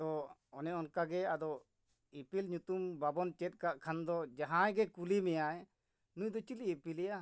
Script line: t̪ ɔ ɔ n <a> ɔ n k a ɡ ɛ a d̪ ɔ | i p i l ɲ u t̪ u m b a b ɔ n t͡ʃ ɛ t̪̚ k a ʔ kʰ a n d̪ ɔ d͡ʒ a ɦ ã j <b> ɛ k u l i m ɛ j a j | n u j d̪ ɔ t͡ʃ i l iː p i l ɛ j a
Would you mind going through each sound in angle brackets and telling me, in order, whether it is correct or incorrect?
incorrect: ɛ, incorrect: ɡ

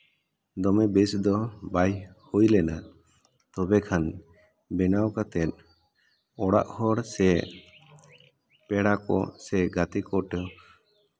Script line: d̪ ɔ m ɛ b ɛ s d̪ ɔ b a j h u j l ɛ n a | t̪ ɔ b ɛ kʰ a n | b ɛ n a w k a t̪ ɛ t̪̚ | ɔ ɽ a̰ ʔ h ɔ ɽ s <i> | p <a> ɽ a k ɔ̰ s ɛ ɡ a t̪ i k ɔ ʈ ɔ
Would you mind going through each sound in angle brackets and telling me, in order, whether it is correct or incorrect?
incorrect: ɛ, incorrect: ɛ

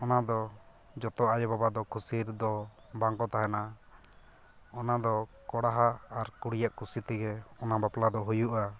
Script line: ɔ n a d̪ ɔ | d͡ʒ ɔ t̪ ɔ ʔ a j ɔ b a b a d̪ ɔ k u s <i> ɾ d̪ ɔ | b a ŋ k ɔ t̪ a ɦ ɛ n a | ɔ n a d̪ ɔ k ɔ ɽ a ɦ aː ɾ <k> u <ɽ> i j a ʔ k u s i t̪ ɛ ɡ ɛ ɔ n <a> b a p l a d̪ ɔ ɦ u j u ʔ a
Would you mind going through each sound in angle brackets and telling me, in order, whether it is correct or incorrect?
correct, correct, correct, correct

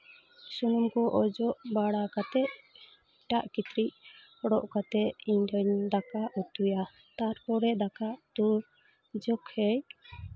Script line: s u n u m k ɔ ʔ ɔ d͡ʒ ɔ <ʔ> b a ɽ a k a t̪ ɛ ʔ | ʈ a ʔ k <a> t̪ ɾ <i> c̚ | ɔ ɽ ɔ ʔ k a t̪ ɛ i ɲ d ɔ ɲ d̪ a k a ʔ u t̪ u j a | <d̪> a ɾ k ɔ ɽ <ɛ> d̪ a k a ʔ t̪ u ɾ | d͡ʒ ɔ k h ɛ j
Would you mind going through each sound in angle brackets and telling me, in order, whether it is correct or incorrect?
correct, incorrect: i, correct, incorrect: t̪, correct

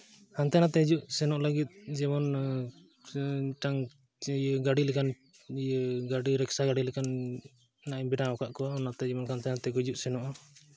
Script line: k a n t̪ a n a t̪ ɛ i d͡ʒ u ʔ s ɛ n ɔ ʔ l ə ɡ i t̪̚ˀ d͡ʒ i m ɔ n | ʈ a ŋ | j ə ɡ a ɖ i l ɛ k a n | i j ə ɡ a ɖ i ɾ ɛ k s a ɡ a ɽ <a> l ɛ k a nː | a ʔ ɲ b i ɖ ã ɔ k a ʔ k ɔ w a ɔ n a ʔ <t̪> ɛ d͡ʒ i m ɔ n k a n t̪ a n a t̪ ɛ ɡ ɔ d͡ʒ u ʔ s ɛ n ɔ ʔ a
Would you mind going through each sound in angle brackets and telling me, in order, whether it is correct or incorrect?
incorrect: i, correct

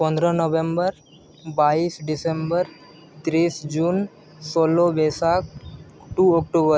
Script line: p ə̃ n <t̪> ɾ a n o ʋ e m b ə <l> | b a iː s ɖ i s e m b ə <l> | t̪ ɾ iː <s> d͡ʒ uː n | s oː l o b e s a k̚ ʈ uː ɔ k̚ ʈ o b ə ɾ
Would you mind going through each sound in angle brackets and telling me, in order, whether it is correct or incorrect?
incorrect: d̪, incorrect: ɾ, incorrect: ɾ, correct

